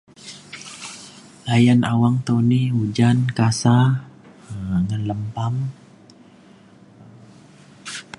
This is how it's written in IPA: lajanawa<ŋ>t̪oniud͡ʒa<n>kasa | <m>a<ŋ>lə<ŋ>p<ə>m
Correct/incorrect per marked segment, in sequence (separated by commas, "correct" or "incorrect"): correct, correct, incorrect, incorrect, incorrect, incorrect